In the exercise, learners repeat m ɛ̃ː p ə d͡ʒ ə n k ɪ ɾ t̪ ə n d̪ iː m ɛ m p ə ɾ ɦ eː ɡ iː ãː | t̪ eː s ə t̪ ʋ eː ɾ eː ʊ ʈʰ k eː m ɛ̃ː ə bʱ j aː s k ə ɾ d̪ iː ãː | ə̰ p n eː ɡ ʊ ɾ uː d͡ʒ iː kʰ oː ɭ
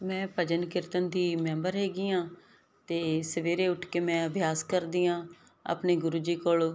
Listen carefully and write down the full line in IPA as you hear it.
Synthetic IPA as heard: m ɛ̃ː p ə d͡ʒ ə n k ɪ ɾ t̪ ə n d̪ iː m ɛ m b ə ɾ ɦ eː ɡ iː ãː | t̪ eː s ə ʋ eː ɾ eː ʊ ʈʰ k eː m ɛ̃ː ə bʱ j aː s k ə ɾ d̪ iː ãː | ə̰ p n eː ɡ ʊ ɾ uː d͡ʒ iː k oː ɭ